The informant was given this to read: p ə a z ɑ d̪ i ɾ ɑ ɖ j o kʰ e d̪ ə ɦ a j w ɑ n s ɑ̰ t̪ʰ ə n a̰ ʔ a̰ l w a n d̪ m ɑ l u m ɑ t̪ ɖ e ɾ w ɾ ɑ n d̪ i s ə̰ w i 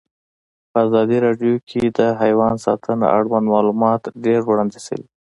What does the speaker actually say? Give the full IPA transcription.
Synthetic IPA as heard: p ə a z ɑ d̪ i ɾ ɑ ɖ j o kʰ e d̪ ə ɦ a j w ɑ n s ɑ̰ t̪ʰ ə n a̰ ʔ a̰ ɽ w a n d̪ m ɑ l u m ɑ t̪ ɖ e ɾ w ɽ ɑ n d̪ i s ə̰ w i